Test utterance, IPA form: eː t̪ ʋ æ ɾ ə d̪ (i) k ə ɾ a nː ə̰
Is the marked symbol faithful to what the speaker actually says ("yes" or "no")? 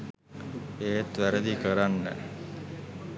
yes